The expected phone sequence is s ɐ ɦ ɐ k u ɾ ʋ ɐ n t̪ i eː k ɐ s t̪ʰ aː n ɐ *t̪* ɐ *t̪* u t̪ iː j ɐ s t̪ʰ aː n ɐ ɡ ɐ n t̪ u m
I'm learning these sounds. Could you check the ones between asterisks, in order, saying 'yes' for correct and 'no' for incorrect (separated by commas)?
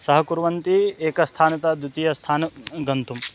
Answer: yes, no